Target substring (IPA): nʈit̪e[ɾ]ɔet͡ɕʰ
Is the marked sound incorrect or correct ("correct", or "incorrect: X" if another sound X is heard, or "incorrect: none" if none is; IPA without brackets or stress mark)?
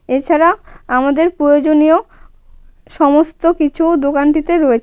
correct